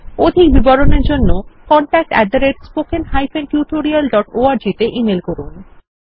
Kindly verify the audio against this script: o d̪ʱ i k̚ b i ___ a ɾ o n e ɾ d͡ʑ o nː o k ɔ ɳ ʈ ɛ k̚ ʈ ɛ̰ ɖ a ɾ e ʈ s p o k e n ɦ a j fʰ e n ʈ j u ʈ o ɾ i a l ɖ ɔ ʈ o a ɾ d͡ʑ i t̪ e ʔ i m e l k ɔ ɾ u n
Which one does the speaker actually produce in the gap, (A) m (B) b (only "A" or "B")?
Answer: B